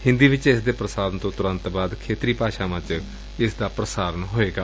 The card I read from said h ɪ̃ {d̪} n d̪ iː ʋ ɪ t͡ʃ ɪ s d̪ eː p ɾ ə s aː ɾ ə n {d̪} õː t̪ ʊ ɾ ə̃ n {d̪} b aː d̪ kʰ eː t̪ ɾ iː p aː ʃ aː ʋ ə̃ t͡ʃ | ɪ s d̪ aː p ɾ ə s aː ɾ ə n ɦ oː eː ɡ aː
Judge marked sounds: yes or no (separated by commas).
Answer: no, no, no